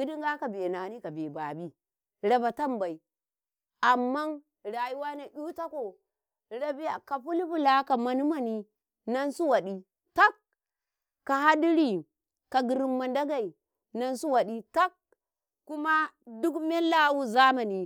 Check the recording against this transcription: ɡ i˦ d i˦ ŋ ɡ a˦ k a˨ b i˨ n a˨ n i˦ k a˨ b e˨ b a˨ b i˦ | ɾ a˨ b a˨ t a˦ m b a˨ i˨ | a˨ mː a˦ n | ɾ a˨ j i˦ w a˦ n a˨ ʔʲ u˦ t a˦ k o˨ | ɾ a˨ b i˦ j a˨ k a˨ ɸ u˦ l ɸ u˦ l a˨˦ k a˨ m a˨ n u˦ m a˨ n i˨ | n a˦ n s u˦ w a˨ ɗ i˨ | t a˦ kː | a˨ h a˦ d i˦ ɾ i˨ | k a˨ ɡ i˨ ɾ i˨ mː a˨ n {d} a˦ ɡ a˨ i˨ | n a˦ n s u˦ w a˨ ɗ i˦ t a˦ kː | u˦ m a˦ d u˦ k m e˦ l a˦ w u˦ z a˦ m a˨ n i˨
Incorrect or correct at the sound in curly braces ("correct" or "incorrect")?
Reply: correct